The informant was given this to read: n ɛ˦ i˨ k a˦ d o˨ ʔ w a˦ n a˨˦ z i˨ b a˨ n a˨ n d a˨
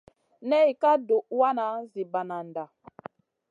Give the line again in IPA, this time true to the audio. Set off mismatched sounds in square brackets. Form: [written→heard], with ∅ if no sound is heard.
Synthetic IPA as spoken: n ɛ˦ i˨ k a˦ d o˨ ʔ w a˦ n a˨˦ z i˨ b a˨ n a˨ n d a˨